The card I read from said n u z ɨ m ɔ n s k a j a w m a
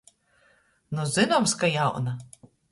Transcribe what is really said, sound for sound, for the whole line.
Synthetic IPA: n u z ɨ n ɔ m s k a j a w n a

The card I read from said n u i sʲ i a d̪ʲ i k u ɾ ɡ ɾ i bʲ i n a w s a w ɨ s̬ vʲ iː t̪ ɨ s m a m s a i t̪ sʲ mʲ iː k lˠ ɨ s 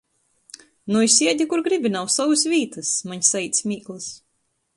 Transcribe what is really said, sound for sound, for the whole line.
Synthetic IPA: n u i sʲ i ɛ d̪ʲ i k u ɾ ɡ ɾ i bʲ i n a w s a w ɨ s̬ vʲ iː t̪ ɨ s m a ɲ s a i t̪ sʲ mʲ iː k lˠ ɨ s

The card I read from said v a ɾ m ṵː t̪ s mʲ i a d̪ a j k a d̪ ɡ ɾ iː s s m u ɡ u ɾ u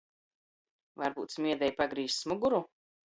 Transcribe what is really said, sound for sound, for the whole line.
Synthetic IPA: v a ɾ b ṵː t̪ s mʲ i ɛ d̪ ɛ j p a ɡ ɾ iː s s m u ɡ u ɾ u

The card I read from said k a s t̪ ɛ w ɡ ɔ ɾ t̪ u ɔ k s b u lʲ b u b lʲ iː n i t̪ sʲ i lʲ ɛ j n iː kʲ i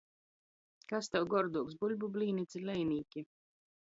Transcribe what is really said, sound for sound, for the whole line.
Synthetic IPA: k a s t̪ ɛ w ɡ ɔ ɾ d̪ u ɔ k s b u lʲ b u b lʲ iː n i t̪ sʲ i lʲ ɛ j n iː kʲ i

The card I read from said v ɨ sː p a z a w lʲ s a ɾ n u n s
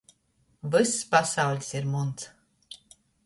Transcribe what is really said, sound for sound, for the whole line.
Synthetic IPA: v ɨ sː p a s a w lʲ s i ɾ m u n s

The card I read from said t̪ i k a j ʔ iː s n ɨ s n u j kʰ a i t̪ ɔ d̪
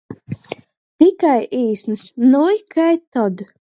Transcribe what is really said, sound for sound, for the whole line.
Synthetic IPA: t̪ i k a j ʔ iː s n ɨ s n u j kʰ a j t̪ ɔ d̪

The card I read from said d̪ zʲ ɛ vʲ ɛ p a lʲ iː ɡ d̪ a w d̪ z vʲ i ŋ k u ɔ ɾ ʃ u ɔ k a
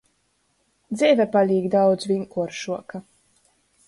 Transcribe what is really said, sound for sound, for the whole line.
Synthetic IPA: d̪ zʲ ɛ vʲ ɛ p a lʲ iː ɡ d̪ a w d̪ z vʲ i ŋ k u ɔ ɾ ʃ u ɔ k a

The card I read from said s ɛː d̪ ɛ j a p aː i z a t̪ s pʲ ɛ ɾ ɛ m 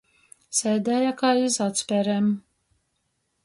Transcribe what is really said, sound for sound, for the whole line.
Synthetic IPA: s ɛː d̪ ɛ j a k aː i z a t̪ s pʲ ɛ ɾ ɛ m

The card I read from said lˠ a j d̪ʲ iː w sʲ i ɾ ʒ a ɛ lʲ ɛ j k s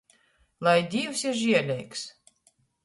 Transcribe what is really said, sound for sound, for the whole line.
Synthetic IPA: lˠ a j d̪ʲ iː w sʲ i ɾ ʒ i ɛ lʲ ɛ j k s

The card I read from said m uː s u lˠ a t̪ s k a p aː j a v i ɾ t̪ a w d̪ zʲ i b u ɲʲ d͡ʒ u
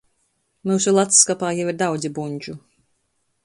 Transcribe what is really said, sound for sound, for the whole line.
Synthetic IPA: m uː s u lˠ a t̪ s k a p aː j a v i ɾ d̪ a w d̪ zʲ i b u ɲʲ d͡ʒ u

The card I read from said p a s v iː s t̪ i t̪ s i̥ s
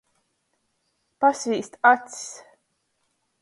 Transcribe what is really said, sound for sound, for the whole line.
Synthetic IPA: p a s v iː s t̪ a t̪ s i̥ s

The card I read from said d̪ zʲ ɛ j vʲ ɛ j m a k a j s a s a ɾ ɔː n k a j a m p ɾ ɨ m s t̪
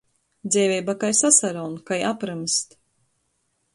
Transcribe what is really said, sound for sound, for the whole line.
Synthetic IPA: d̪ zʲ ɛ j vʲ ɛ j b a k a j s a s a ɾ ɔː n k a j a p ɾ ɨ m s t̪

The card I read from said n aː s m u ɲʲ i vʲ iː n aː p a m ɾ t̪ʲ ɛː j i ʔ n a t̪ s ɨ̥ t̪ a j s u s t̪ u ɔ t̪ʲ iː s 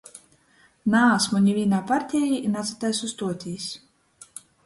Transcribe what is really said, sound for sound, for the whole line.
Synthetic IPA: n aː s m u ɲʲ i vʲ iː n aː p a ɾ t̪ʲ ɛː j i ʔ n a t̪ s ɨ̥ t̪ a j s u s t̪ u ɔ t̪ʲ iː s

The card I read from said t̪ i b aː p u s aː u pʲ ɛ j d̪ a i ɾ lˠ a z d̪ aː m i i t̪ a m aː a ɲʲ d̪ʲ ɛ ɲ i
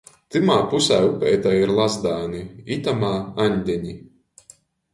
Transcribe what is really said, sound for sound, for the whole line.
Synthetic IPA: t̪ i m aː p u s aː u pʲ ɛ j t̪ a i ɾ lˠ a z d̪ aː n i i t̪ a m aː a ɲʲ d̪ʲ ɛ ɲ i

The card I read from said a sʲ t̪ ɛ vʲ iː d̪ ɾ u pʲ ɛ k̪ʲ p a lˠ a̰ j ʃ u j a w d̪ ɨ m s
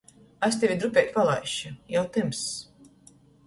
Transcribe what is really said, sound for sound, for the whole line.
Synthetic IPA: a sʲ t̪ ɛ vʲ i d̪ ɾ u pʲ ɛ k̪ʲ p a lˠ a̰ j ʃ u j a w t̪ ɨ m s

